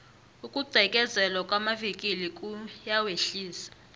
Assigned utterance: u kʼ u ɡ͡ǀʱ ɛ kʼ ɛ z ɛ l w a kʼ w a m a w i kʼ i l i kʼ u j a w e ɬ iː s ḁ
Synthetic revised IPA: u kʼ u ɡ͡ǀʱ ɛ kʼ ɛ z ɛ l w a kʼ w a m a v i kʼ i l i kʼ u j a w e ɬ iː s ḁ